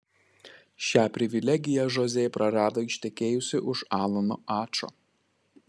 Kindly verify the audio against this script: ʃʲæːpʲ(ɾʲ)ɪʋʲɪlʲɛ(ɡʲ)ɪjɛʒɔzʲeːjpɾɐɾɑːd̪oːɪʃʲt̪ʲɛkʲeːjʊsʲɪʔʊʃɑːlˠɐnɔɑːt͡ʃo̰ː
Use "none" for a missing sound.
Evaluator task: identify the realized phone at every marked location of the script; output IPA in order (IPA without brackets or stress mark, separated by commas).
ɾʲ, ɡʲ